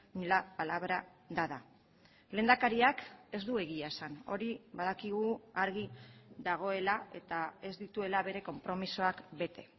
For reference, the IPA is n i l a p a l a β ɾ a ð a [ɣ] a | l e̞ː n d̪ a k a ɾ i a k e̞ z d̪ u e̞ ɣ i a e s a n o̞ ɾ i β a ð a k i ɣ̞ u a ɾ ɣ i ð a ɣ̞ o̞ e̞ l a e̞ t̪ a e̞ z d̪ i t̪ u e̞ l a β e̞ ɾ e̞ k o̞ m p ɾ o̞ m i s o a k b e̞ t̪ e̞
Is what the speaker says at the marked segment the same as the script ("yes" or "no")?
no